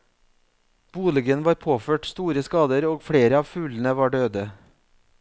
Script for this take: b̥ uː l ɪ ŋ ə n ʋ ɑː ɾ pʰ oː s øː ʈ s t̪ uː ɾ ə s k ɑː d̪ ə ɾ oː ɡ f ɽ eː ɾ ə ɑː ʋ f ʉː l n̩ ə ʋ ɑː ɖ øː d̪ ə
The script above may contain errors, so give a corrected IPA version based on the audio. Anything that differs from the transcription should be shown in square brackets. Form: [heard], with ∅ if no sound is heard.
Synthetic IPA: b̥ uː l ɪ [ɡ] ə n ʋ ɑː ɾ pʰ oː [f] øː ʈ s t̪ uː ɾ ə s k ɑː d̪ ə ɾ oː ɡ f ɽ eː ɾ ə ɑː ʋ f ʉː l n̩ ə ʋ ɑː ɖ øː d̪ ə